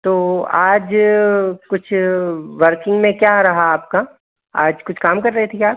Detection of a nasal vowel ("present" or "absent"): present